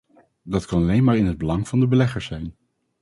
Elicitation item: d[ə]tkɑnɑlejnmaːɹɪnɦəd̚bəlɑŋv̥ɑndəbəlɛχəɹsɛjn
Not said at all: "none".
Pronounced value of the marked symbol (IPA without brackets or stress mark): ɑ